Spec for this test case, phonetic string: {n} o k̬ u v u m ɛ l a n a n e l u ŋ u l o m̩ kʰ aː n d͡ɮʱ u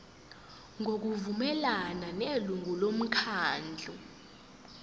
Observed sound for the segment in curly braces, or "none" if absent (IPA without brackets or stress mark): ŋ